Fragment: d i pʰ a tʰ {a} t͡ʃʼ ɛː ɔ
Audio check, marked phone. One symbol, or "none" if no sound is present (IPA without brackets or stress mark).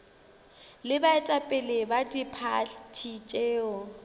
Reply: i